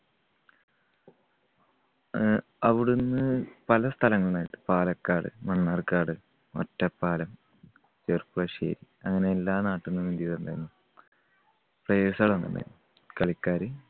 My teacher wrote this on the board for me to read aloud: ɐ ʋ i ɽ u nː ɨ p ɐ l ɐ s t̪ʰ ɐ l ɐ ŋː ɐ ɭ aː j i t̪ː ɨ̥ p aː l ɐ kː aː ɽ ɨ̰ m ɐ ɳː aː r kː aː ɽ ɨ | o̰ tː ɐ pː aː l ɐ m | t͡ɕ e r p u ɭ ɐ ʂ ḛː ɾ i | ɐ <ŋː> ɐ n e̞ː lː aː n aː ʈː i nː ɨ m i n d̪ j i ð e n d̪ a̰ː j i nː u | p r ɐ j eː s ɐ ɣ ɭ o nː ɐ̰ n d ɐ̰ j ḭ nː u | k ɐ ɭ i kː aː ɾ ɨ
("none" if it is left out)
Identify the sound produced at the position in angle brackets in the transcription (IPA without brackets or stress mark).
ŋː